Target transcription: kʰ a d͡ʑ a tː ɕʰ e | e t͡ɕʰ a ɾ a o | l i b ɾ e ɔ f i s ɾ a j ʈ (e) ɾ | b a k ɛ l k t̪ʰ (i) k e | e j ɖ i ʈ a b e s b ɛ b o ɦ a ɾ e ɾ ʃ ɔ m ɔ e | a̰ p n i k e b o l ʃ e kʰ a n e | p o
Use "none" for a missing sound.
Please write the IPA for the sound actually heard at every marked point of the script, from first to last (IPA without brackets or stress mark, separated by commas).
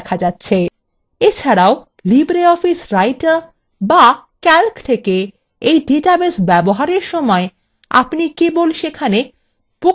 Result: a, e